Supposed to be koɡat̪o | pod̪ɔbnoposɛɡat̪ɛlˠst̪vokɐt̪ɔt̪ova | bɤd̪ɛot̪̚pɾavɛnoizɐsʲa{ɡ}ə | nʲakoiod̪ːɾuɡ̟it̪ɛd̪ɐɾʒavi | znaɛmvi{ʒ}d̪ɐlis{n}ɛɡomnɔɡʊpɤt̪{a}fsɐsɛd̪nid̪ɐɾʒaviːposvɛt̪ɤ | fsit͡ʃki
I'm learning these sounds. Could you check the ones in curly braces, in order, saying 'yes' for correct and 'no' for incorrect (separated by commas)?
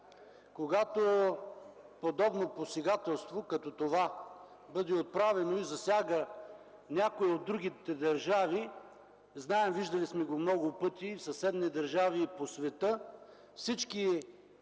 yes, yes, no, no